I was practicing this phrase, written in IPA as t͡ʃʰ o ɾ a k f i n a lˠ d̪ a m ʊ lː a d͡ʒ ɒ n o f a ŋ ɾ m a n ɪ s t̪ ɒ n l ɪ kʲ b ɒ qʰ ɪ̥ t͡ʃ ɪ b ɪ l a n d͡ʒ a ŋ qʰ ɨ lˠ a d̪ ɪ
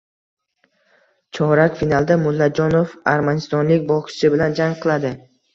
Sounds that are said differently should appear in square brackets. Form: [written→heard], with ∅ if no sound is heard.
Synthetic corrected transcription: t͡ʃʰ [o→ɒ] ɾ a k f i n a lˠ d̪ a m ʊ lː a d͡ʒ ɒ n o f a [ŋ→∅] ɾ m a n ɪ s t̪ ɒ n l ɪ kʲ b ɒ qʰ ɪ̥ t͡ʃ ɪ b ɪ l a n d͡ʒ a ŋ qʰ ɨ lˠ a d̪ ɪ